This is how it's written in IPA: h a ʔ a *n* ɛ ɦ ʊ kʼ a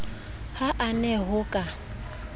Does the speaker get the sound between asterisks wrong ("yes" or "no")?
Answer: no